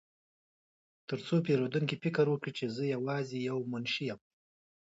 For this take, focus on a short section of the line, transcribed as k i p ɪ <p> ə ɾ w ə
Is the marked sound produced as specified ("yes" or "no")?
no